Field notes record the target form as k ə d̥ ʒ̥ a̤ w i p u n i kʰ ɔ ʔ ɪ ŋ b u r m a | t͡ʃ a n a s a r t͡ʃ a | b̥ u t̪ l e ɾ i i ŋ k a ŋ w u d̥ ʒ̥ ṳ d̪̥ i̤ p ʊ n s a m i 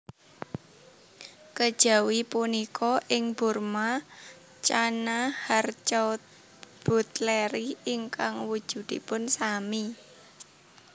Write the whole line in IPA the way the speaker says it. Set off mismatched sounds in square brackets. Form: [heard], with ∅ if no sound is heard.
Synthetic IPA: k ə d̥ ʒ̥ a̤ w i p u n i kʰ ɔ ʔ ɪ ŋ b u r m a | t͡ʃ a n a [h] a r t͡ʃ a | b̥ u t̪ l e ɾ i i ŋ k a ŋ w u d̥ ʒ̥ ṳ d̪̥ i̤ p ʊ n s a m i

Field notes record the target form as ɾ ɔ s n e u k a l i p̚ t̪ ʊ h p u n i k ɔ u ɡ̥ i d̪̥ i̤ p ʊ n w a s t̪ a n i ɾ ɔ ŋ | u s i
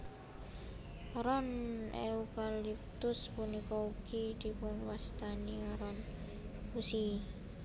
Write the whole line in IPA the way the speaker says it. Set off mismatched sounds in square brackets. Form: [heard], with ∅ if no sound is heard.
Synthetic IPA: ɾ ɔ [∅] n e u k a l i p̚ t̪ ʊ [s] p u n i k ɔ u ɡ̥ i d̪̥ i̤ p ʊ n w a s t̪ a n i ɾ ɔ [n] | u s i

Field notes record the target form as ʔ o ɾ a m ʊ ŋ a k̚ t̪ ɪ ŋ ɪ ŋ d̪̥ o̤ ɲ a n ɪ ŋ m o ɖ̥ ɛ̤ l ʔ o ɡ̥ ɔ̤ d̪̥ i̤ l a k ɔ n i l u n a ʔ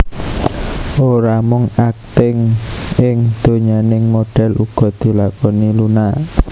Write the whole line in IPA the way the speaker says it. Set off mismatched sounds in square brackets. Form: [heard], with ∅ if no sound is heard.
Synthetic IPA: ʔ o ɾ a m ʊ ŋ a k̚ t̪ ɪ ŋ ɪ ŋ d̪̥ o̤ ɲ a n ɪ ŋ m o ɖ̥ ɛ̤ l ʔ [u] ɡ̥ ɔ̤ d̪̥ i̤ l a k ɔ n i l u n a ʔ

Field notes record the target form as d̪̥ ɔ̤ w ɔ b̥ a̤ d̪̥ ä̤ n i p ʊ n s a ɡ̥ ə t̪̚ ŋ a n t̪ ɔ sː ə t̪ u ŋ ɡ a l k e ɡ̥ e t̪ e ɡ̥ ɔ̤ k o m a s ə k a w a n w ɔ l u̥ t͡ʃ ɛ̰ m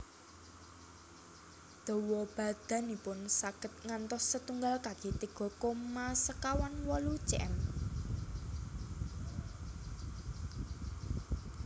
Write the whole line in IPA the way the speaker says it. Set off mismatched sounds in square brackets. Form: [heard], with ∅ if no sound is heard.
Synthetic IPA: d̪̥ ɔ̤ w ɔ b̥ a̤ d̪̥ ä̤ n i p ʊ n s a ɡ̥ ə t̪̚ ŋ a n t̪ ɔ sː ə t̪ u ŋ ɡ a l k [a] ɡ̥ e t̪ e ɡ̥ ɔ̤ k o m a s ə k a w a n w ɔ l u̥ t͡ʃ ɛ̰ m

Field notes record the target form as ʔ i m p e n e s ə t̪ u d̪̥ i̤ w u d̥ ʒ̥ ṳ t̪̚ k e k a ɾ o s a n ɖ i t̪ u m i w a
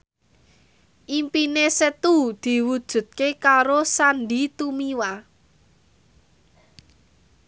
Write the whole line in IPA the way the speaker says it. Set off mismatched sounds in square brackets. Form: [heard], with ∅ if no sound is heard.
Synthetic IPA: ʔ i m p [i] n e s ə t̪ u d̪̥ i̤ w u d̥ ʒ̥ ṳ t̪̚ k e k a ɾ o s a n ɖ i t̪ u m i w a

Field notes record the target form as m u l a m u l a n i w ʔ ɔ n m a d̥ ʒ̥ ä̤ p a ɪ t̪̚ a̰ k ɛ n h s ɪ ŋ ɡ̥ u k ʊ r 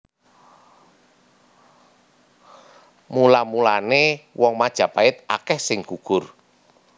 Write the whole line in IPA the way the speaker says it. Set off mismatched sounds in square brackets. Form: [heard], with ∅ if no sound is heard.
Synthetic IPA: m u l a m u l a n [e] w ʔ ɔ [ŋ] m a d̥ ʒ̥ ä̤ p a ɪ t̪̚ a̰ k ɛ [∅] h s ɪ ŋ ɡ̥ u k ʊ r

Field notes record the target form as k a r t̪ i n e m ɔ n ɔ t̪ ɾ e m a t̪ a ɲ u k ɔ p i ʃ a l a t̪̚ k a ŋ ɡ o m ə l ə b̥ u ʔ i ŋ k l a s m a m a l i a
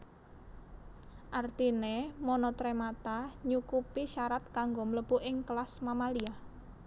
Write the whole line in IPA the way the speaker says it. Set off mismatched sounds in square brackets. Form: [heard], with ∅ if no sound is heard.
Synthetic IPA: [ʔ] a r t̪ i n e m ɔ n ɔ t̪ ɾ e m a t̪ a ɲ u k [u] p i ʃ a [ɾ] a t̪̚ k a ŋ ɡ o m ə l ə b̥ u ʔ [ɪ] ŋ k l a s m a m a l i a

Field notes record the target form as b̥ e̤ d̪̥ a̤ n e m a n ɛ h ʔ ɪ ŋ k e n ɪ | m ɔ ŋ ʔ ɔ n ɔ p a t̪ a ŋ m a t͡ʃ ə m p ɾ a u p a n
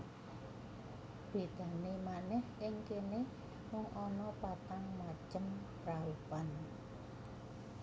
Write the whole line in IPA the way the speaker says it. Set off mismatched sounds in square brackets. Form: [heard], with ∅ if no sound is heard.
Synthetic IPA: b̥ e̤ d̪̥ a̤ n e m a n ɛ h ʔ ɪ ŋ k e n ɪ | m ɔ ŋ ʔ ɔ n ɔ p a t̪ a ŋ m a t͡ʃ ə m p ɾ a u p a n

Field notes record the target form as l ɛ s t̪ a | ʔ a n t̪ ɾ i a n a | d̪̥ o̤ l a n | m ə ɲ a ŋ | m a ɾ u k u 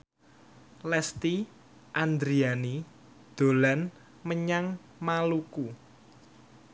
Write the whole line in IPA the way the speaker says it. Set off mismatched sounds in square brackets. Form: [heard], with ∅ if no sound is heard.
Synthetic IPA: l ɛ s t̪ [i] | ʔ a n [d̪] ɾ i a n [i] | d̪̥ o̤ l a n | m ə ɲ a ŋ | m a [l] u k u

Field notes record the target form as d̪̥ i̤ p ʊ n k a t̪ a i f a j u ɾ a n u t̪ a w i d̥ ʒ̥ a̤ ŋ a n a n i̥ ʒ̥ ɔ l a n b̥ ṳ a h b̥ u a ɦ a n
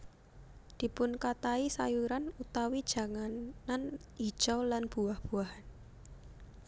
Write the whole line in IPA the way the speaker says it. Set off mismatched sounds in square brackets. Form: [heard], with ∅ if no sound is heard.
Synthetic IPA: d̪̥ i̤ p ʊ n k a t̪ a i [s] a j u ɾ a n u t̪ a w i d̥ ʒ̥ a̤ ŋ a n a n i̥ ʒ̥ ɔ l a n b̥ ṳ a h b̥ u a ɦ a n

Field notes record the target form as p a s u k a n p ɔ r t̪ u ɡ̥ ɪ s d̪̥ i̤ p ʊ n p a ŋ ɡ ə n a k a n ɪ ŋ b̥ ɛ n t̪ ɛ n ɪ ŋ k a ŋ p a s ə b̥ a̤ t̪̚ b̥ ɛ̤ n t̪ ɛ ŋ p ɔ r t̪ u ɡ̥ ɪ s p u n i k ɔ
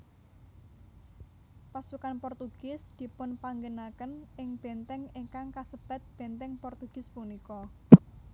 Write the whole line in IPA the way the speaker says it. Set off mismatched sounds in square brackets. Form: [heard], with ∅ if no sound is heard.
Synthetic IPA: p a s u k a n p ɔ r t̪ u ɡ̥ ɪ s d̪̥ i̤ p ʊ n p a ŋ ɡ ə n a k [ə] n ɪ ŋ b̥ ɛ n t̪ ɛ [ŋ] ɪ ŋ k a ŋ [k] a s ə b̥ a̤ t̪̚ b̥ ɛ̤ n t̪ ɛ ŋ p ɔ r t̪ u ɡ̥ ɪ s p u n i k ɔ

